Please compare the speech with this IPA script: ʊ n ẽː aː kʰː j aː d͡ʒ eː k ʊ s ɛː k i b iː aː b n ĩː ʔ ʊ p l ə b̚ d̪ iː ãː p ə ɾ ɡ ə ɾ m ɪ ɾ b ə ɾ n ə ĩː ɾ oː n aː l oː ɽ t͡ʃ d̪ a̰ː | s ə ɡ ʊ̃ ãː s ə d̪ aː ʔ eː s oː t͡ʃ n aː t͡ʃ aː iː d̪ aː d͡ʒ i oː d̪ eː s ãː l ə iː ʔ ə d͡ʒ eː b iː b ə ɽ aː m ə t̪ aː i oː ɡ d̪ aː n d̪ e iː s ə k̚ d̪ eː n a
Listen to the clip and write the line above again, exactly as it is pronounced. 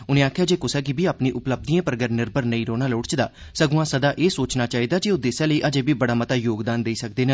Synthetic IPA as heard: ʊ n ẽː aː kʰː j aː d͡ʒ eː k ʊ s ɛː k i b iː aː p n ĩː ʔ ʊ p l ə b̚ d̪ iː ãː p ə ɾ ɡ ə ɾ n ɪ ɾ b ə ɾ n ə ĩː ɾ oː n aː l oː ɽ t͡ʃ d̪ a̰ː | s ə ɡ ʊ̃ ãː s ə d̪ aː ʔ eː s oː t͡ʃ n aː t͡ʃ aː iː d̪ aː d͡ʒ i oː d̪ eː s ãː l ə iː ʔ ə d͡ʒ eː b iː b ə ɽ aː m ə t̪ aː j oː ɡ d̪ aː n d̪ e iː s ə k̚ d̪ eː n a

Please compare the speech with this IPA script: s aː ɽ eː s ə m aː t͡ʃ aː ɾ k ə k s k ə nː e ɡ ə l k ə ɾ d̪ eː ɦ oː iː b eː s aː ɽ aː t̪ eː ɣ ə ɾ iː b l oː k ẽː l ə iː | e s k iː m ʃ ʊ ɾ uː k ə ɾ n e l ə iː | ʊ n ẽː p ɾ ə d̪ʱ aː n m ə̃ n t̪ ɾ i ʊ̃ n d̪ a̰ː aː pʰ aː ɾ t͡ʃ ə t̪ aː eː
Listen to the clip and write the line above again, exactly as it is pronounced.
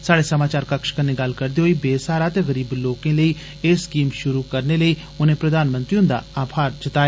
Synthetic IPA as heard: s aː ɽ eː s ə m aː t͡ʃ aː ɾ k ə k ʃ k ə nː e ɡ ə l k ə ɾ d̪ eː ɦ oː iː b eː s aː ɾ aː t̪ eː ɣ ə ɾ iː b l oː k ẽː l ə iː | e s k iː m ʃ ʊ ɾ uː k ə ɾ n e l ə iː | ʊ n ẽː p ɾ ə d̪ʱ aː n m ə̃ n t̪ ɾ i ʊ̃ n d̪ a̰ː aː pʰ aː ɾ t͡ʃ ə t̪ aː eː

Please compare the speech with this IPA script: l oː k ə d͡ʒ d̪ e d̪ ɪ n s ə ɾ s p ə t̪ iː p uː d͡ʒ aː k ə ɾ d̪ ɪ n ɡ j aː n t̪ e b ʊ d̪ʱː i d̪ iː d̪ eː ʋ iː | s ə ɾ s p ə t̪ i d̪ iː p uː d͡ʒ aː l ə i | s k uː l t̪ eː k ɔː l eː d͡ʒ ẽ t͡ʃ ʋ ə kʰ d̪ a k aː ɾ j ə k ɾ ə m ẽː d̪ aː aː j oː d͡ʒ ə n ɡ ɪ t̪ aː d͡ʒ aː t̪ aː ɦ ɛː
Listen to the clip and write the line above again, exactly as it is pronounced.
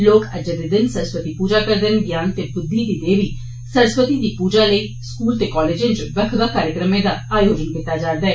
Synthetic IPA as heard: l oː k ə d͡ʒ d̪ e d̪ ɪ n s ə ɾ s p ə t̪ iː p uː d͡ʒ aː k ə ɾ d̪ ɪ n ɡ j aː n t̪ e b ʊ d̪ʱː i d̪ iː d̪ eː ʋ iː | s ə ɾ s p ə t̪ i d̪ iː p uː d͡ʒ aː l ə i | s k uː l t̪ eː k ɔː l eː d͡ʒ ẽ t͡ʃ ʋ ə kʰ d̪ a k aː ɾ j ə k ɾ ə m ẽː d̪ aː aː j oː d͡ʒ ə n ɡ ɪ t̪ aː d͡ʒ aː d̪ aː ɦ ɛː

